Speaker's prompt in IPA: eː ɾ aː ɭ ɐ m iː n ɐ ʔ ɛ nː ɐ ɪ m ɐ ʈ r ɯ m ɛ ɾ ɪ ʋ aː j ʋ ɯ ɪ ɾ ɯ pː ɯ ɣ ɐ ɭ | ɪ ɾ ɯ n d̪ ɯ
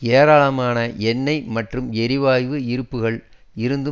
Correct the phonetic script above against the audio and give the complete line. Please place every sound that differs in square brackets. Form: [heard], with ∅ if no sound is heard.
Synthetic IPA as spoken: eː ɾ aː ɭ ɐ m [aː] n ɐ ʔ ɛ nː ɐ ɪ m ɐ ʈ r ɯ m ɛ ɾ ɪ ʋ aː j ʋ ɯ ɪ ɾ ɯ pː ɯ ɣ ɐ ɭ | ɪ ɾ ɯ n d̪ ɯ